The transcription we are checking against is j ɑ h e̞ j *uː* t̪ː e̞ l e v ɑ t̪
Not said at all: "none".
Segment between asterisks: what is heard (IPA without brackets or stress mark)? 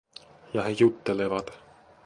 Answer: u